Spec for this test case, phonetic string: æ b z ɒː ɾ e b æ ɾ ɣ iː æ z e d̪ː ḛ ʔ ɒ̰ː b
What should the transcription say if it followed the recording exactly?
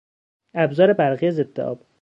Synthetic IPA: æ b z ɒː ɾ e b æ ɾ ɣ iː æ z e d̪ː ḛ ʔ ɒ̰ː b